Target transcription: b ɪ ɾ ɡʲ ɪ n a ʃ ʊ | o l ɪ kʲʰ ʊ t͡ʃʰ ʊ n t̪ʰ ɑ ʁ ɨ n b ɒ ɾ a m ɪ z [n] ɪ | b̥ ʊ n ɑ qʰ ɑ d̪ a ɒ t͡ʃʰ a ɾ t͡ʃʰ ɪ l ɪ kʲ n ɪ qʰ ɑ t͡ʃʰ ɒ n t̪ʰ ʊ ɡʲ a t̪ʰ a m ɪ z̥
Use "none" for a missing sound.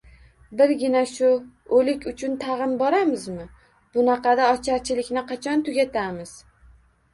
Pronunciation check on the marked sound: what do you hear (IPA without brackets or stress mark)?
m